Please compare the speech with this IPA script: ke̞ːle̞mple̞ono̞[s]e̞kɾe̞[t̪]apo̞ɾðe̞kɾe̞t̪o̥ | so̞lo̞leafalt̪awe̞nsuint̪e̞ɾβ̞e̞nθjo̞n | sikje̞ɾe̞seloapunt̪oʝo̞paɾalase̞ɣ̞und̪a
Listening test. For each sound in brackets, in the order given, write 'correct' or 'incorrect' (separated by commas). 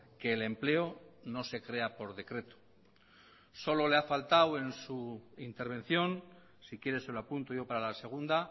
correct, incorrect